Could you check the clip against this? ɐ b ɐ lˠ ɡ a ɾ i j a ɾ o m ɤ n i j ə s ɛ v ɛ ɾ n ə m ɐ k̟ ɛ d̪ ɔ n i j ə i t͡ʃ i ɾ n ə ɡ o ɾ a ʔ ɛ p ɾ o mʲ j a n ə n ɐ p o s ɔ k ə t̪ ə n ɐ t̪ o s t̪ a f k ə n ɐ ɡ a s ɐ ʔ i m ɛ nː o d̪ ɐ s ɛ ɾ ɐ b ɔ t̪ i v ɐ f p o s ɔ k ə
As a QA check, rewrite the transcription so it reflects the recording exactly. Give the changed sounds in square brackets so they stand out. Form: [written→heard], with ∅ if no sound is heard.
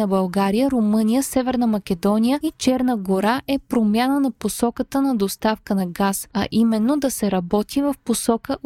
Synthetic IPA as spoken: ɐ b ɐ lˠ ɡ a ɾ i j [a→ə] ɾ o m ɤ n i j ə s ɛ v ɛ ɾ n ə m ɐ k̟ ɛ d̪ ɔ n i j ə i t͡ʃ [i→ɛ] ɾ n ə ɡ o ɾ a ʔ ɛ p ɾ o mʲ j a n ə n ɐ p o s ɔ k ə t̪ ə n ɐ [t̪→d̪] o s t̪ a f k ə n ɐ ɡ a s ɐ ʔ i m ɛ nː o d̪ ɐ s ɛ ɾ ɐ b ɔ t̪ i v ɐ f p o s ɔ k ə